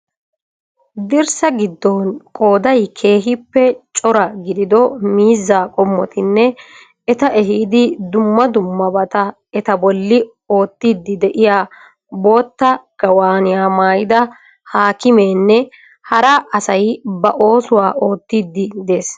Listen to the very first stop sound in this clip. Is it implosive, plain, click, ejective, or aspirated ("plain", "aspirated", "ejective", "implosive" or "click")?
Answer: plain